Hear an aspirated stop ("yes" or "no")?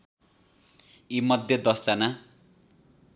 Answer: no